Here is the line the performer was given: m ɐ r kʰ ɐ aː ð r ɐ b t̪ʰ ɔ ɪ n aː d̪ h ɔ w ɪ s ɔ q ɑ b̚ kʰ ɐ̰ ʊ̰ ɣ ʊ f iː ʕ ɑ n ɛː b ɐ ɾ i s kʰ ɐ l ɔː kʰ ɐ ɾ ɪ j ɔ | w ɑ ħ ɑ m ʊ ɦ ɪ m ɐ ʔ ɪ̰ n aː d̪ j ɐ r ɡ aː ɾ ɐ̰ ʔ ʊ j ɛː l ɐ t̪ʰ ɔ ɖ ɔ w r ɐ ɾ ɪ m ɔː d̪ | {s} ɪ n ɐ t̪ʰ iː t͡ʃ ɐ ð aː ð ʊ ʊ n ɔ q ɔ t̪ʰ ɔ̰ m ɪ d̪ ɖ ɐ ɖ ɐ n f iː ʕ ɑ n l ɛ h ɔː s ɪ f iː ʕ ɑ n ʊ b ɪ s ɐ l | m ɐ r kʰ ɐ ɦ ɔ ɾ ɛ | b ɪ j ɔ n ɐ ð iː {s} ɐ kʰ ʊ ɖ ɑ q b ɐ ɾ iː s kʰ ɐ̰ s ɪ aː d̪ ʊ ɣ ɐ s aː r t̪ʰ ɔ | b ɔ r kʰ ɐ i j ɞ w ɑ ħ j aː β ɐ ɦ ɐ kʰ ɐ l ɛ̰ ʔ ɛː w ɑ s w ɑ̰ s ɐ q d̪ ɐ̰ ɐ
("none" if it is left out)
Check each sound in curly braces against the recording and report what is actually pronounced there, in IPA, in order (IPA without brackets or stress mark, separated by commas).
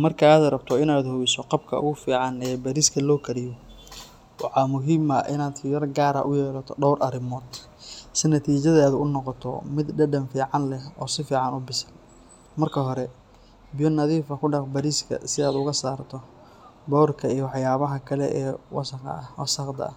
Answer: s, f